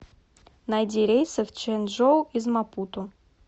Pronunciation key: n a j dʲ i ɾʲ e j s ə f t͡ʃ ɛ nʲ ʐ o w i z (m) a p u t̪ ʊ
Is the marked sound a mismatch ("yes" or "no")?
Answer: no